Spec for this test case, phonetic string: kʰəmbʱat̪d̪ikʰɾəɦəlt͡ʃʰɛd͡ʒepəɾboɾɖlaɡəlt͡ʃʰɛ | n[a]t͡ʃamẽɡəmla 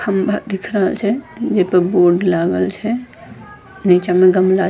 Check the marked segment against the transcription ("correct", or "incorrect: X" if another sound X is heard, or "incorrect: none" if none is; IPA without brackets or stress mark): incorrect: i